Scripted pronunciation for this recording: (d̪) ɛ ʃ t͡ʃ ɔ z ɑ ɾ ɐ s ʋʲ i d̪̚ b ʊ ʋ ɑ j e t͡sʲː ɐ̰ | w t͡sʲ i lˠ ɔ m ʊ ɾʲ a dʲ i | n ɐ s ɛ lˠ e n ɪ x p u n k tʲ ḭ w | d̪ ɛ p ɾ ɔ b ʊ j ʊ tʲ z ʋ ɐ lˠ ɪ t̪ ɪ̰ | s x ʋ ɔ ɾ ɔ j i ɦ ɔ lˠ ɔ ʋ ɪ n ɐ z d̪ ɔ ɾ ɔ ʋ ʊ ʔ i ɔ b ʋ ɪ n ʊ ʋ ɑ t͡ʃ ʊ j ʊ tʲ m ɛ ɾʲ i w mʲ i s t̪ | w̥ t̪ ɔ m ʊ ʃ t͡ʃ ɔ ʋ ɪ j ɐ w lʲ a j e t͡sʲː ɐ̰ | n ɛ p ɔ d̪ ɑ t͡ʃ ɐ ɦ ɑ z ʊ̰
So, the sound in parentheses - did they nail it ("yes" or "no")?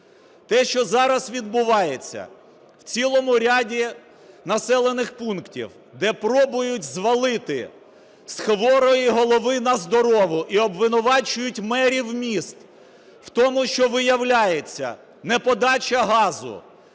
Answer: no